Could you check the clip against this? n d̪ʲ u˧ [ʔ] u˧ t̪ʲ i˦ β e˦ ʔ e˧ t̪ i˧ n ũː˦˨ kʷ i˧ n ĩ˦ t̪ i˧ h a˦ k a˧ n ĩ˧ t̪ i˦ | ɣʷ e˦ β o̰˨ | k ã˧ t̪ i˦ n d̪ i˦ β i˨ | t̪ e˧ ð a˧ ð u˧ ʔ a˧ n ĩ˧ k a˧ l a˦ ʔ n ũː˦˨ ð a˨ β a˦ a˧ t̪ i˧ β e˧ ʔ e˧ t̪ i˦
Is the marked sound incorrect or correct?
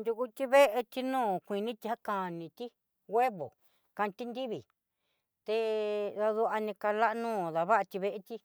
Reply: incorrect